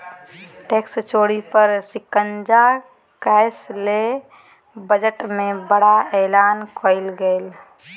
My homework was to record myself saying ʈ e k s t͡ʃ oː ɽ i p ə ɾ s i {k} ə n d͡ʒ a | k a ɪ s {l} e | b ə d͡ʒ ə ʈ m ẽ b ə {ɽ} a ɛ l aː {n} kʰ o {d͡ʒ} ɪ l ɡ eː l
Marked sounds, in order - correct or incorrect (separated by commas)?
correct, correct, correct, correct, incorrect